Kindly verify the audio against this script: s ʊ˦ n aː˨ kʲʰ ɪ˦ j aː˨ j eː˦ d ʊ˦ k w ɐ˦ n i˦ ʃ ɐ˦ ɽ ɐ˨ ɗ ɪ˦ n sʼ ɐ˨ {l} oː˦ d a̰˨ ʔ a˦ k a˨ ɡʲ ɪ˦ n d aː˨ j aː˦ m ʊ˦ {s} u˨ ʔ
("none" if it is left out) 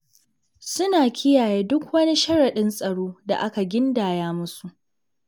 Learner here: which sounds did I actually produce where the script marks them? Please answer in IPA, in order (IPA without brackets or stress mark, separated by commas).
ɽ, s